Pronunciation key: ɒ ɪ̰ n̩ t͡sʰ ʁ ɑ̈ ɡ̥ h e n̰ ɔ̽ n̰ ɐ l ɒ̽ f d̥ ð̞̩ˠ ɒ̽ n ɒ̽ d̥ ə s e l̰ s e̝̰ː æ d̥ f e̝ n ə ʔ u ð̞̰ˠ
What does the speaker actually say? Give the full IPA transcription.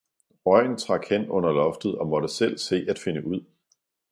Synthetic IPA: ɒ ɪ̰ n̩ t͡sʰ ʁ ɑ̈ ɡ̥ h e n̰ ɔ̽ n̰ ɐ l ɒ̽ f d̥ ð̞̩ˠ ɒ̽ m ɒ̽ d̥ ə s e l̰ s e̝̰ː æ d̥ f e̝ n ə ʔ u ð̞̰ˠ